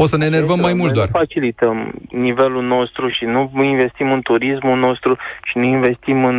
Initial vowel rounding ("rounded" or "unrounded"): rounded